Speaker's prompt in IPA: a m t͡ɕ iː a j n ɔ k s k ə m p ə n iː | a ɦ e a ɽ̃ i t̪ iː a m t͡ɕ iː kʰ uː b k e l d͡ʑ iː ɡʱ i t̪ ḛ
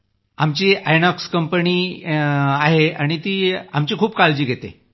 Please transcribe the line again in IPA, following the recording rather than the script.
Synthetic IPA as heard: a m t͡ɕ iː a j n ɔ k s k ə m p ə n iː | a ɦ e a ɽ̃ i t̪ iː a m t͡ɕ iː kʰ uː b k a l d͡ʑ iː ɡʱ e t̪ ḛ